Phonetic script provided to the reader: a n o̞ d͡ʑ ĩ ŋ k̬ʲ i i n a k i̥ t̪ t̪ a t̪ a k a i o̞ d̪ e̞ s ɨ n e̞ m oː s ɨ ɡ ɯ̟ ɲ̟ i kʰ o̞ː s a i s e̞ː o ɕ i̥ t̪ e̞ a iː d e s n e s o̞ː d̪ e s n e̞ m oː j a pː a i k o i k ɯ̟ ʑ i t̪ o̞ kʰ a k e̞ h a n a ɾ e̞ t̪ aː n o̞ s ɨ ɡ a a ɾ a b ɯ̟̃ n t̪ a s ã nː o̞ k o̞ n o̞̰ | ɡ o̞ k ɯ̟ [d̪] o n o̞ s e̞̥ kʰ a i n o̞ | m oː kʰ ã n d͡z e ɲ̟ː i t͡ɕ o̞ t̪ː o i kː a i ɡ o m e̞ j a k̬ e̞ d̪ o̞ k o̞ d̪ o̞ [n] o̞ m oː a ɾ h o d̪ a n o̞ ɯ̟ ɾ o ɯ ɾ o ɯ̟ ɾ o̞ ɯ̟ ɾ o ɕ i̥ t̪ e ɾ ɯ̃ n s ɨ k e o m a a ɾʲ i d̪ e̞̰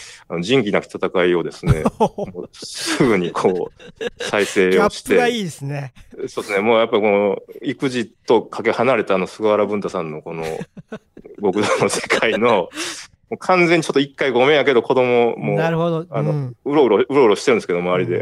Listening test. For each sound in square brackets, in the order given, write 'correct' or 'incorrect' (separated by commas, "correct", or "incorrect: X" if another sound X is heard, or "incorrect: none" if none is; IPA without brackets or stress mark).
correct, incorrect: m